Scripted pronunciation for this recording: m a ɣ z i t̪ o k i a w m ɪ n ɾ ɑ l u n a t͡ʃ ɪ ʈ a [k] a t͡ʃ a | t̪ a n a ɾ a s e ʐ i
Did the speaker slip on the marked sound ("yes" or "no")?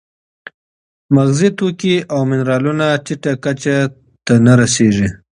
no